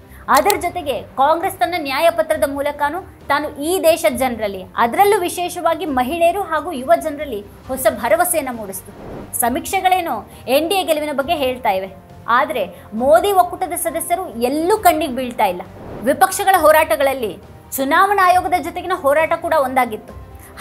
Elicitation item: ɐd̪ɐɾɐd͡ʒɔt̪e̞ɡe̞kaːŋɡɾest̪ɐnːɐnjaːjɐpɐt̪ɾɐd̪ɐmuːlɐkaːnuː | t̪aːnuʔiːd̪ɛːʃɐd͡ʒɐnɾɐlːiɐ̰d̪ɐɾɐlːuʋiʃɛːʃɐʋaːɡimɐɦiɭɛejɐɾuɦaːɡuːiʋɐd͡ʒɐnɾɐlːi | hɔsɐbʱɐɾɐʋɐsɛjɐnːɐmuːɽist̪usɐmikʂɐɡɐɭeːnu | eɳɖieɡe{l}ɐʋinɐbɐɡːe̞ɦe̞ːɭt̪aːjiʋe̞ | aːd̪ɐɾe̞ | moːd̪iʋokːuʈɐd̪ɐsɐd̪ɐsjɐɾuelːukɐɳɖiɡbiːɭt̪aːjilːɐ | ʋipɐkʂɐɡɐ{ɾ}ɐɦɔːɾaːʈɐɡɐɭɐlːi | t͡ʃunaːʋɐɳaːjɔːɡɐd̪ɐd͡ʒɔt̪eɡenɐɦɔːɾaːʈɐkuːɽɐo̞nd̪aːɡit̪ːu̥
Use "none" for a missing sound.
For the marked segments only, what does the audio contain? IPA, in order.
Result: l, ɭ

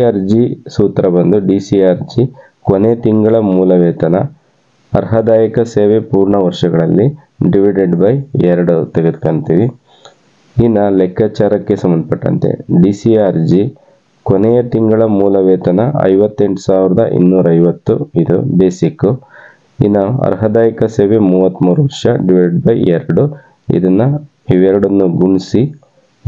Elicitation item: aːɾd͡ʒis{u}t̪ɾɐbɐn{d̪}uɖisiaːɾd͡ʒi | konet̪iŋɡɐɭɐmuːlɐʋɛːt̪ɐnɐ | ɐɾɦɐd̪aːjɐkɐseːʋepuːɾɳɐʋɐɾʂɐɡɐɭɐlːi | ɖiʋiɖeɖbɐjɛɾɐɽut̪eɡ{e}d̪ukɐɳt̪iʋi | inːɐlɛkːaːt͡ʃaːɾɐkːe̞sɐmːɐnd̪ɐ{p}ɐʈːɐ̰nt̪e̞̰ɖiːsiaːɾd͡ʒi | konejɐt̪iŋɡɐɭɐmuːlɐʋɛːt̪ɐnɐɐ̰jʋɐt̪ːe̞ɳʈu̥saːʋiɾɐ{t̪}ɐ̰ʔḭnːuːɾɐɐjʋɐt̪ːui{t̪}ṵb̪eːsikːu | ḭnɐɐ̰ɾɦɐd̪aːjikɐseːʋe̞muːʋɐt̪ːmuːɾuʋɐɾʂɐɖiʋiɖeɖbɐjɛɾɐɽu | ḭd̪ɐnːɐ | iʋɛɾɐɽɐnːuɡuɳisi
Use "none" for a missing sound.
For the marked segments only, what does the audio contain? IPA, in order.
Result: uː, d̪, e, p, d̪, d̪

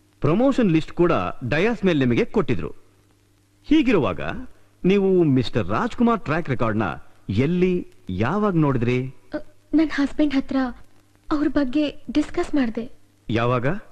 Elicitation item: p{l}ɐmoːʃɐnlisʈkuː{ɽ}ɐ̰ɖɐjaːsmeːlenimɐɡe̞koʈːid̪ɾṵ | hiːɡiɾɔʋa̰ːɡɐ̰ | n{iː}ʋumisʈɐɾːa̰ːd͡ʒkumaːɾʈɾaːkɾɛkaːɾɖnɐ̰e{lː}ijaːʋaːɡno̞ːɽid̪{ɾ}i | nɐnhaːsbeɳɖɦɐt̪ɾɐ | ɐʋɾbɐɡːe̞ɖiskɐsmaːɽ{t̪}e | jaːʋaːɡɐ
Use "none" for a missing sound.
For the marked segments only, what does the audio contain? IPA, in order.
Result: ɾ, ɽ, iː, lː, ɾ, d̪

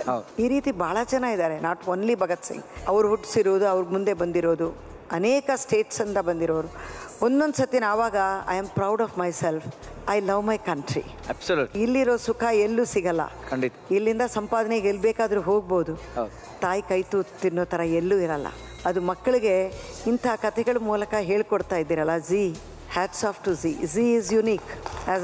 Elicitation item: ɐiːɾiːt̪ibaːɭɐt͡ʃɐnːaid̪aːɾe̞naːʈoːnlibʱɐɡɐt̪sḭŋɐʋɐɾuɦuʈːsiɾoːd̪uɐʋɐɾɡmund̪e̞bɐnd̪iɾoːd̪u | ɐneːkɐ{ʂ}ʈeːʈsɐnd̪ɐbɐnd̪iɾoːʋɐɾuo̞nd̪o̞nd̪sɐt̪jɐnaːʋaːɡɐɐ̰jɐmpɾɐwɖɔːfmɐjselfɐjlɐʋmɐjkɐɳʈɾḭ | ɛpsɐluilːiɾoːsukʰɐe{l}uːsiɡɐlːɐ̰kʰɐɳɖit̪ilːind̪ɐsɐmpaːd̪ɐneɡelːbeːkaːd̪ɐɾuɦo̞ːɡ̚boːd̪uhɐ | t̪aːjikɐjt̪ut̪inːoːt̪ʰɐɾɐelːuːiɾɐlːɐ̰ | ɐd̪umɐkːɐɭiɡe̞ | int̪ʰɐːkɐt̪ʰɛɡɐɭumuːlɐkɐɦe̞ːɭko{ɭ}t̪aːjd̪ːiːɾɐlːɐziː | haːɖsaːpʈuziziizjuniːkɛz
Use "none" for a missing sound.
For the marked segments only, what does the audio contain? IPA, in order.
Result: s, lː, ɽ

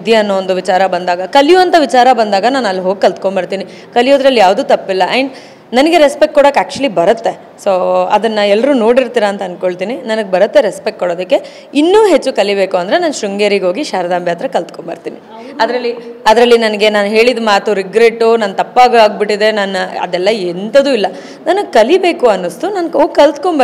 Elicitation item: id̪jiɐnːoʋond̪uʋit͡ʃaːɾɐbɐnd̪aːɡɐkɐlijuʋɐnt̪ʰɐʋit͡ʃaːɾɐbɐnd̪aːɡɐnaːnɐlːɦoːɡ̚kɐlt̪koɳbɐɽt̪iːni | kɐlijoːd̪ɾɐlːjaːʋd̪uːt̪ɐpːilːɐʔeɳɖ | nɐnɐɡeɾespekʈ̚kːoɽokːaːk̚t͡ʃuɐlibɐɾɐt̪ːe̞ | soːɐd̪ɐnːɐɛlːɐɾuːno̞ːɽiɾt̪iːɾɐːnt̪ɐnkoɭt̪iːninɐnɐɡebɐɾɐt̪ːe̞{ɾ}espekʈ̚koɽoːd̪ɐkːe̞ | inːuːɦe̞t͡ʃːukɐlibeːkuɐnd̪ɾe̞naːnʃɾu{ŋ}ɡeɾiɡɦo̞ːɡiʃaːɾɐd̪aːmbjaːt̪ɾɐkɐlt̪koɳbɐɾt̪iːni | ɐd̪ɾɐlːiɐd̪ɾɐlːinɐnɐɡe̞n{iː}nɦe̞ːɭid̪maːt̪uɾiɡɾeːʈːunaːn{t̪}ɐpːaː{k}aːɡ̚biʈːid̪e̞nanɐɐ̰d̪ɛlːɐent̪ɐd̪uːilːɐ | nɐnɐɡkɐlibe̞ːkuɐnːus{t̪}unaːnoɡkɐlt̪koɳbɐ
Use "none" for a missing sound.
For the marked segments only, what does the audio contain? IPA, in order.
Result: ɾ, ŋ, aː, t̪, ɡ, t̪

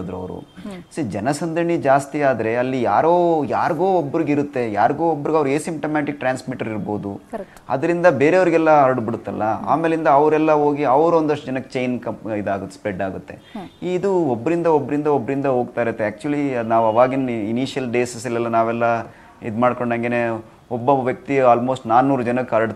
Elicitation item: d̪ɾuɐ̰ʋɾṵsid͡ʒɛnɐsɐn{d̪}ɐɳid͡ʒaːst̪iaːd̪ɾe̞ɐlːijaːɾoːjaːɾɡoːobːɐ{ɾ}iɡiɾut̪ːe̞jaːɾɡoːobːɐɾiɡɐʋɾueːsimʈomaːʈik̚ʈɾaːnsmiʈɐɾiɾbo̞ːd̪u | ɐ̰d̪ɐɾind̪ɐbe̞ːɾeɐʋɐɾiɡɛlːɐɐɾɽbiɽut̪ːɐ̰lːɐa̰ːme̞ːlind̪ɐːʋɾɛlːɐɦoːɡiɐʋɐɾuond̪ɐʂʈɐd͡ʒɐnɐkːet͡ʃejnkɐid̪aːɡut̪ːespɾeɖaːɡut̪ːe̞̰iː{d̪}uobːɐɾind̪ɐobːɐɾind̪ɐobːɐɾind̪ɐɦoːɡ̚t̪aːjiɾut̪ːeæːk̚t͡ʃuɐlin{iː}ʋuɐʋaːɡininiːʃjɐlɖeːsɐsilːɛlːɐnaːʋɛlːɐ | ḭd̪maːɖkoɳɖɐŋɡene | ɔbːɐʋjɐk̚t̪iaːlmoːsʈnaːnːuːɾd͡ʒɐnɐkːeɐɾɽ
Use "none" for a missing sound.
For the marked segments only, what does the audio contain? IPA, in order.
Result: d̪, ɾ, d̪, aː

